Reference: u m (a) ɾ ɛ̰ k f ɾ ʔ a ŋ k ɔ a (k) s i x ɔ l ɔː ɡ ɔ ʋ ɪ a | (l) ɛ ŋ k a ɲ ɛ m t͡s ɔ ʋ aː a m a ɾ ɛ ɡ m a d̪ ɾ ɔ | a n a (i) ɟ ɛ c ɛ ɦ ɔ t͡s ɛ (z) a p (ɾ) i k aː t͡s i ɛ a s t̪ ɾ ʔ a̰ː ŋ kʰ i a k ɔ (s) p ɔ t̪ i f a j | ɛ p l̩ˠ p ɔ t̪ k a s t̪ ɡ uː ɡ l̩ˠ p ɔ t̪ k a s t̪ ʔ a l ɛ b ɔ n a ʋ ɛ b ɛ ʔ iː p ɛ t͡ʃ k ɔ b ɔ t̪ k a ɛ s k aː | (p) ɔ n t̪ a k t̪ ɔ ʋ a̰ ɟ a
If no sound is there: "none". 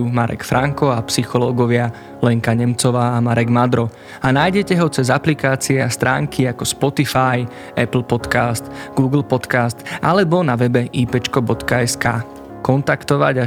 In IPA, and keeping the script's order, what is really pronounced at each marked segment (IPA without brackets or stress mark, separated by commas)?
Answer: a, p, l, j, z, l, s, k